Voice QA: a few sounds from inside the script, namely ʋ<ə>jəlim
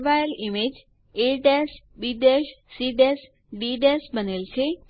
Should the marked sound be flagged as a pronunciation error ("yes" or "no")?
yes